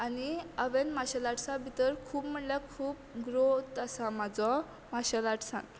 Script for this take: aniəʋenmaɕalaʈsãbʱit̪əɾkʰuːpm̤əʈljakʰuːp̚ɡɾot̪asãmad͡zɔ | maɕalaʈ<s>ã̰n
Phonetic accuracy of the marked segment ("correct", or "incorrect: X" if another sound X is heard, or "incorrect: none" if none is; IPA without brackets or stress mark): correct